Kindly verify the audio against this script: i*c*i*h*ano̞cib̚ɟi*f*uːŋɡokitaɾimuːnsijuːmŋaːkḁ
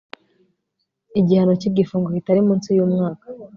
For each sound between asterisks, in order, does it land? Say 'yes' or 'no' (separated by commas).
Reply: no, yes, yes